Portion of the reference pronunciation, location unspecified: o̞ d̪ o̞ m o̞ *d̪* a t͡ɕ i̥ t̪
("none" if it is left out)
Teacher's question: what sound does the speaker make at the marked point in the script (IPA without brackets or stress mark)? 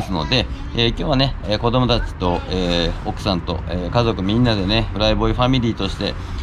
t̪